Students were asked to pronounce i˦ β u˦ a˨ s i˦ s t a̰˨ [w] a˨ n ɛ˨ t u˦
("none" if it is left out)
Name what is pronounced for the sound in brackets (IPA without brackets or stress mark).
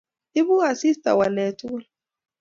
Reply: w